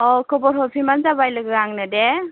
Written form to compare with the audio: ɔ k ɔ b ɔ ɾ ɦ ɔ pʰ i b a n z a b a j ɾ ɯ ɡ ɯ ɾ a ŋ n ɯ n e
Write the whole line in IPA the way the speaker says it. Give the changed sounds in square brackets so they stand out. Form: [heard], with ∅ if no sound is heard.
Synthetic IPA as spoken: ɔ k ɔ b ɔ ɾ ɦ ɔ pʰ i [m] a n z a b a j [l] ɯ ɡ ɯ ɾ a ŋ n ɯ [d] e